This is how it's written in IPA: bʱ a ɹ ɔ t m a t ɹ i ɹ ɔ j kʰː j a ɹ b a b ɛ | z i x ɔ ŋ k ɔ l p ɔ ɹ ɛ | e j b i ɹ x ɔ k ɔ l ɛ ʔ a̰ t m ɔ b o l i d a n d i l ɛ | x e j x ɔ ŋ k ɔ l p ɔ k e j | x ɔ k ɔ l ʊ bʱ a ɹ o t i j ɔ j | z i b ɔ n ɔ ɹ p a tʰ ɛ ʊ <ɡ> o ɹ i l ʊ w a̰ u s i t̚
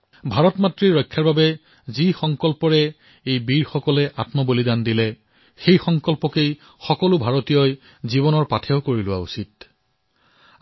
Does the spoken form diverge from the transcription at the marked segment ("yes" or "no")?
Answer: yes